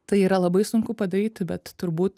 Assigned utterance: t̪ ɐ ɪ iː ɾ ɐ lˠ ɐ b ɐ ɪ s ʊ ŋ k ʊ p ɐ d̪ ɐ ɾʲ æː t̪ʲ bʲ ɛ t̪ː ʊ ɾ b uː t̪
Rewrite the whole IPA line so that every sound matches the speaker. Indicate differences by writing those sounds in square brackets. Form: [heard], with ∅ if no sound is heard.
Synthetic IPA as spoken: t̪ ɐ ɪ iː ɾ ɐ lˠ ɐ b ɐ ɪ s ʊ ŋ k ʊ p ɐ d̪ ɐ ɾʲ [iː] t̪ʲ bʲ ɛ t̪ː ʊ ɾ b uː t̪